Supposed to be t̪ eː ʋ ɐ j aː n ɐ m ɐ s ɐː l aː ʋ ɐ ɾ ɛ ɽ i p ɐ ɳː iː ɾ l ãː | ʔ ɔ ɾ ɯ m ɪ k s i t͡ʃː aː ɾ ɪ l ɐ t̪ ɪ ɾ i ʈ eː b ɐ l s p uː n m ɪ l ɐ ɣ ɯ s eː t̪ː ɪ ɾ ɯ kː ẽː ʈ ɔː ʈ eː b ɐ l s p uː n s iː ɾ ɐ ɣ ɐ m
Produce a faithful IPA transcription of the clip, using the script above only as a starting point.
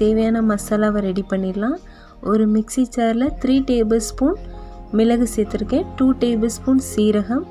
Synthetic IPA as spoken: t̪ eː ʋ ɐ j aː n ɐ m ɐ s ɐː l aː ʋ ɐ ɾ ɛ ɽ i p ɐ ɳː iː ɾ l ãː | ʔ ɔ ɾ ɯ m ɪ k s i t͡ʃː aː ɾ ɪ l ɐ t̪ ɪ ɾ iː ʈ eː b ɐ l s p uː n m ɪ l ɐ ɣ ɯ s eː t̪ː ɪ ɾ ɯ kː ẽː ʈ uː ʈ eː b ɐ l s p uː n s iː ɾ ɐ ɣ ɐ m

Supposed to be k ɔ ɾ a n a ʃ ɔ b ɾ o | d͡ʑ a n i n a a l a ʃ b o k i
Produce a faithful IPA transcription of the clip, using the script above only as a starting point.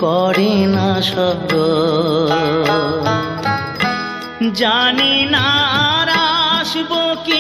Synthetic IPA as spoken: k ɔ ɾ i n a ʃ ɔ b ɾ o | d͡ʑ a n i n a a ɾ a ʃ b o k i

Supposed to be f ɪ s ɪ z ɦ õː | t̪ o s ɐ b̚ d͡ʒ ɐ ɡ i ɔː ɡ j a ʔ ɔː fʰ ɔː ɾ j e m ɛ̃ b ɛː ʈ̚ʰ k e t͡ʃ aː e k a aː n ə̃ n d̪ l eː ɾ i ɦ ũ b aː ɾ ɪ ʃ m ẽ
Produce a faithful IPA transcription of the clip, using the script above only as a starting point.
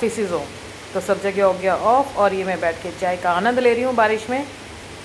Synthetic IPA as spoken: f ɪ s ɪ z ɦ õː | t̪ o s ɐ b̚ d͡ʒ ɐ ɡ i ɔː ɡ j a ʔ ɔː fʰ ɔː ɾ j e m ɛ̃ b ɛː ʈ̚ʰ k e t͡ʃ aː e k a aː n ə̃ n d̪ l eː ɾ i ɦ ũ b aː ɾ ɪ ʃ m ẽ

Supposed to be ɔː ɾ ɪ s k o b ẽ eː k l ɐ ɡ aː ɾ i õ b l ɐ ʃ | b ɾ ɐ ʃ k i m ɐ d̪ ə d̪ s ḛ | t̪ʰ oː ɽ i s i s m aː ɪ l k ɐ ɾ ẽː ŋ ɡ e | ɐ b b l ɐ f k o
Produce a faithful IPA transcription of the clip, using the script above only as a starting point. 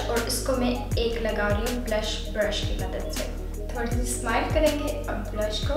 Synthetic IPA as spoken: ɔː ɾ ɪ s k o m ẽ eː k l ɐ ɡ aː ɾ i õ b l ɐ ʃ | b ɾ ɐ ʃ k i m ɐ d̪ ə d̪ s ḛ | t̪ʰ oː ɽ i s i s m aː ɪ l k ɐ ɾ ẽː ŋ ɡ e | ɐ b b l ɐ ʃ k o

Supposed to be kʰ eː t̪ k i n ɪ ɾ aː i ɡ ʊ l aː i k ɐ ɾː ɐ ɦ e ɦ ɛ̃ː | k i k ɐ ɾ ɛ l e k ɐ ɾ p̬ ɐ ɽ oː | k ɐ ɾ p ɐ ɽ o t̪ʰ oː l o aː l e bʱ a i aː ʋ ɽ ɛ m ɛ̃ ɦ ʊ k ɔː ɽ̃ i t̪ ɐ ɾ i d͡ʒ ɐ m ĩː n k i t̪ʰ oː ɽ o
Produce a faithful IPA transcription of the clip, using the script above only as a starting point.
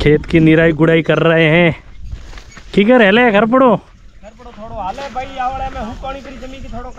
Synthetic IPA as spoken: kʰ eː t̪ k i n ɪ ɾ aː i ɡ ʊ ɽ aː i k ɐ ɾː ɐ ɦ e ɦ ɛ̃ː | k i k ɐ ɾ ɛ l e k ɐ ɾ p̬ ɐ ɽ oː | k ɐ ɾ p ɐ ɽ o t̪ʰ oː ɽ o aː l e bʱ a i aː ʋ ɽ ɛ m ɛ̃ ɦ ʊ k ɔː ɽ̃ i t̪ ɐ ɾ i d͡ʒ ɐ m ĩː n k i t̪ʰ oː ɽ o

